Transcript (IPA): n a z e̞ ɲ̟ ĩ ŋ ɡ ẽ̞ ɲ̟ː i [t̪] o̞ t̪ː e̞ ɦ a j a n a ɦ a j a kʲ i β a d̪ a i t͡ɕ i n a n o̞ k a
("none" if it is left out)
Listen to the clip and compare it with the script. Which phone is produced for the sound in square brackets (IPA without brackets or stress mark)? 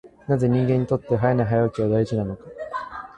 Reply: t̪